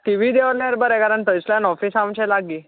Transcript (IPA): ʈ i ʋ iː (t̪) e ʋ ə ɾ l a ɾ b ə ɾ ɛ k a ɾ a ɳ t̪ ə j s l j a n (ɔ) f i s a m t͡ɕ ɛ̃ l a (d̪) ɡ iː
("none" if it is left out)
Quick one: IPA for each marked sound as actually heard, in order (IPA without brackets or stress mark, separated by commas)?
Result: d̪, ɔ, none